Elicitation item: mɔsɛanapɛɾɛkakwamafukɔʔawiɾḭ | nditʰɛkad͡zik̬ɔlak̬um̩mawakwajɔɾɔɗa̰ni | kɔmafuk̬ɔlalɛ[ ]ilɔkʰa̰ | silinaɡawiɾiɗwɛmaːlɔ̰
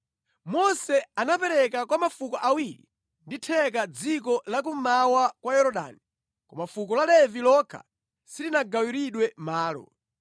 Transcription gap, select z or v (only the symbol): v